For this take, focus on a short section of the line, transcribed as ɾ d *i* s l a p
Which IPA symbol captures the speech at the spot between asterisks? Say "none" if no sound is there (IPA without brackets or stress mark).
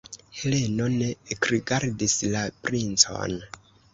i